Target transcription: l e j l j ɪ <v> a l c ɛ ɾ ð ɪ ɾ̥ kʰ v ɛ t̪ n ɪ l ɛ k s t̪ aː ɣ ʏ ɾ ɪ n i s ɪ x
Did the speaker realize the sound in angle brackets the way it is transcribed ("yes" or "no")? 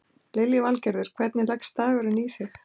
yes